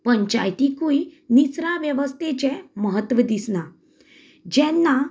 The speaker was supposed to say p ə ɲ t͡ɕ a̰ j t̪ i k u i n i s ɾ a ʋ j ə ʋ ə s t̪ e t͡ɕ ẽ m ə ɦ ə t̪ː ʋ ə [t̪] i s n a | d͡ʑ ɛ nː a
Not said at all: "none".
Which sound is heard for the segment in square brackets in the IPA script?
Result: d̪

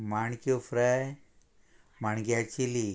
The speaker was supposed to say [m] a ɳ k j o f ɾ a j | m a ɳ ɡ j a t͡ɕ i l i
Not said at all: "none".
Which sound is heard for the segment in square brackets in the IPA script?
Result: m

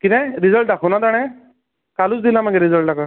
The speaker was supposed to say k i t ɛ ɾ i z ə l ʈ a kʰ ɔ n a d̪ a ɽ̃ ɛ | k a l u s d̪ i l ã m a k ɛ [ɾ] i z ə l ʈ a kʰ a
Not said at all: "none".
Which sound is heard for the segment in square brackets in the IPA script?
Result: ɾ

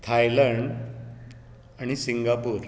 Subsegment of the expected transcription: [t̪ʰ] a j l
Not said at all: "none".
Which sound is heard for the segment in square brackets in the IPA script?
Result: t̪ʰ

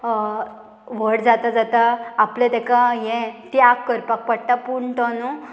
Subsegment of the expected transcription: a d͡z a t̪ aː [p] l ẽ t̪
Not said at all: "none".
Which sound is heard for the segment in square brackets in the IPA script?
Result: p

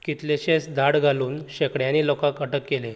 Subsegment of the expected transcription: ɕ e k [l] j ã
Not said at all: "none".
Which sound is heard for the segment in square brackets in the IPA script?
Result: ɽ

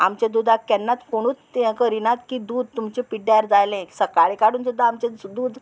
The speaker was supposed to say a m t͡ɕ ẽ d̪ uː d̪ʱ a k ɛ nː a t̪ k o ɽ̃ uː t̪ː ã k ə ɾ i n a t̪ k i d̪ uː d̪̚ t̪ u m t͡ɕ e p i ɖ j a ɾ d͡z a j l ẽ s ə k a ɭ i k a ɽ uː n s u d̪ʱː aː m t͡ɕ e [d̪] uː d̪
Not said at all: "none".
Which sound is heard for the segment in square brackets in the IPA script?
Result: d̪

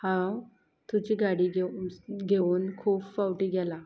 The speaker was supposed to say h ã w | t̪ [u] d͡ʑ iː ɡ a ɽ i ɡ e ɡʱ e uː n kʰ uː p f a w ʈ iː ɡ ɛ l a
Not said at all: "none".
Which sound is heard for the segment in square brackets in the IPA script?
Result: u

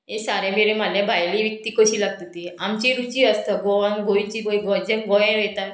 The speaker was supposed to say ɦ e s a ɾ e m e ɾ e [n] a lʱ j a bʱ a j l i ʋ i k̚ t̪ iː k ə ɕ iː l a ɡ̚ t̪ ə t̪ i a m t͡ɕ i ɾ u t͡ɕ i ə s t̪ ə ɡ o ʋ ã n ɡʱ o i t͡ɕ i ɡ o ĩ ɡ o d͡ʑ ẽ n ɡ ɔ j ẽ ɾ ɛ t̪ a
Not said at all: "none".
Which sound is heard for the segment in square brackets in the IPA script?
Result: m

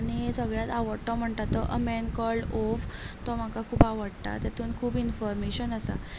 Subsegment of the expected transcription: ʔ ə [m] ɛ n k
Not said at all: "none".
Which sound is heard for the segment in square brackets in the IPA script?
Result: m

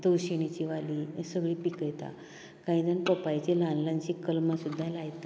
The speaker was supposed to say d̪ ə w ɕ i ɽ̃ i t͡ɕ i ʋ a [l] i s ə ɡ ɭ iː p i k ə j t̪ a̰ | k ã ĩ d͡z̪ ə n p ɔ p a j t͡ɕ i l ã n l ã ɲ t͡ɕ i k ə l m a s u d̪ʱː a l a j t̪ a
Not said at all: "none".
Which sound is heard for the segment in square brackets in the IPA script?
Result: l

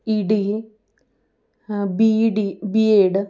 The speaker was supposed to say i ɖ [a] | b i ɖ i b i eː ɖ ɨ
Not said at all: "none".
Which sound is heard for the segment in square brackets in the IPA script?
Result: i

